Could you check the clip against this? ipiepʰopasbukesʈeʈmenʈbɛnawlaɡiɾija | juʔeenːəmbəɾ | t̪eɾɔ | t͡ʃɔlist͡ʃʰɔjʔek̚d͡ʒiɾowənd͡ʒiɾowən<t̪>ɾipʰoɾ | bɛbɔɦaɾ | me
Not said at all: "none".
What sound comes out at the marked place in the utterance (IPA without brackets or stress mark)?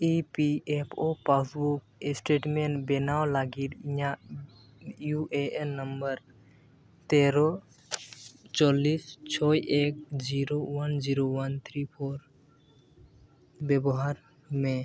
t̪ʰ